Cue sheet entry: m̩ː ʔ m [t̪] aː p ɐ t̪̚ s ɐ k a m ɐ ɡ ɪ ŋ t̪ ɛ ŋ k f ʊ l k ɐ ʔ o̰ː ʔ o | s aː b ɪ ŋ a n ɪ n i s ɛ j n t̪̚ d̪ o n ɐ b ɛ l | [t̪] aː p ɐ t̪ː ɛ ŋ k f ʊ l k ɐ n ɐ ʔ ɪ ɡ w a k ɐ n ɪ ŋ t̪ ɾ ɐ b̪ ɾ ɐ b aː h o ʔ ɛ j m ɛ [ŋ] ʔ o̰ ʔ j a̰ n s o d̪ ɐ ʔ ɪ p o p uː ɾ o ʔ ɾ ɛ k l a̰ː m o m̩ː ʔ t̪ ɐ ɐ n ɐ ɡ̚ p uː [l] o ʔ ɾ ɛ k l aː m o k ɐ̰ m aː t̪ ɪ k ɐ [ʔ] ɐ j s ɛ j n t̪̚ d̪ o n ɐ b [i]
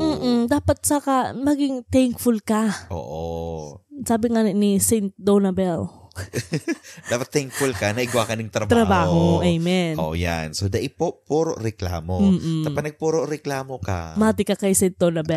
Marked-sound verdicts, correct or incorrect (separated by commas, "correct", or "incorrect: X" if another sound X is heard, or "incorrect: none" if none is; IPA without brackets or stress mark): incorrect: d̪, incorrect: d̪, incorrect: n, incorrect: ɾ, incorrect: k, incorrect: ɛ